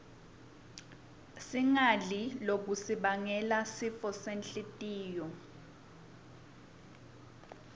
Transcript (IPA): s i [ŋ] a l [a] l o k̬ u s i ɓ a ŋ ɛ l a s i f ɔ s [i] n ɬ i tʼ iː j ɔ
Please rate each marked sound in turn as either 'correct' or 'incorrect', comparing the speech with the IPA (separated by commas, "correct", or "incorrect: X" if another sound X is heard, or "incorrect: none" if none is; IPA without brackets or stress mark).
correct, incorrect: i, incorrect: e